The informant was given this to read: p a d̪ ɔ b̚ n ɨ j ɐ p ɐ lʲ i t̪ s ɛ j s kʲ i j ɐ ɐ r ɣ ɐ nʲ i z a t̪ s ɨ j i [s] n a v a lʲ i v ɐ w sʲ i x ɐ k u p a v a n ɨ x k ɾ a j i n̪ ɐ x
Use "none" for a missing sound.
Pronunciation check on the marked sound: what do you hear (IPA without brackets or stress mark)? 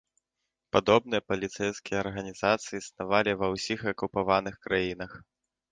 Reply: s